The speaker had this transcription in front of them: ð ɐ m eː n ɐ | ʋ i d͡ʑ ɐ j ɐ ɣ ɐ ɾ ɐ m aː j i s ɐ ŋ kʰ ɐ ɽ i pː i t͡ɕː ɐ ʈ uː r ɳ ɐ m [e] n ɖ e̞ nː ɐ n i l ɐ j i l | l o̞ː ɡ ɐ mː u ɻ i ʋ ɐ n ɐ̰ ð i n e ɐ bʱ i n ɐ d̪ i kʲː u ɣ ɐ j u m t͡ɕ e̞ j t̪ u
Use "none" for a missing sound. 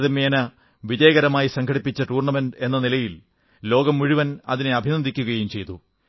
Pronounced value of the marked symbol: e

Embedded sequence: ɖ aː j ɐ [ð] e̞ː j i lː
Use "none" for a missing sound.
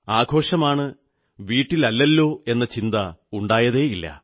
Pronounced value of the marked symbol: ð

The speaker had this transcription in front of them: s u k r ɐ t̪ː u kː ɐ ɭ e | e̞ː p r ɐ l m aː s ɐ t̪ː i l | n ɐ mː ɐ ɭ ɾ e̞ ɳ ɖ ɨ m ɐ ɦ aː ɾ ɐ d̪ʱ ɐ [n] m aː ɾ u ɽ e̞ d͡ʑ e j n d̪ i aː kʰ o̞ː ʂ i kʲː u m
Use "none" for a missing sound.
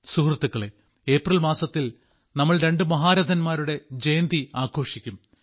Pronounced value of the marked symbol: n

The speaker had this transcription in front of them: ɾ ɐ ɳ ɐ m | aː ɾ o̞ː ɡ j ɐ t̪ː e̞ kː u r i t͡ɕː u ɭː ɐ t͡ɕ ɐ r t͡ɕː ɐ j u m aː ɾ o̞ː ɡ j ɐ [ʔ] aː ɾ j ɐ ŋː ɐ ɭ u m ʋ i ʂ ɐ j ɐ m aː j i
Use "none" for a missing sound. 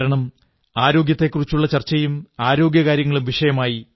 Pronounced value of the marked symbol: k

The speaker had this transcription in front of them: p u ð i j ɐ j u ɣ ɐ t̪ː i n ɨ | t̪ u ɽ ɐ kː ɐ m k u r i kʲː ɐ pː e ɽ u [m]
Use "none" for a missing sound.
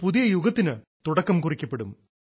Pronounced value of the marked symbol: m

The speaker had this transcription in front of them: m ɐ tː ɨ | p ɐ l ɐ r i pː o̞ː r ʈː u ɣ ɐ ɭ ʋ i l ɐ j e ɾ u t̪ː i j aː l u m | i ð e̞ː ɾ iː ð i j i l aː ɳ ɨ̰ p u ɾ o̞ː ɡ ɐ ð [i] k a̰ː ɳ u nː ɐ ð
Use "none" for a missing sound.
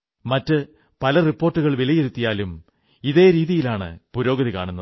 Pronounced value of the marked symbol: i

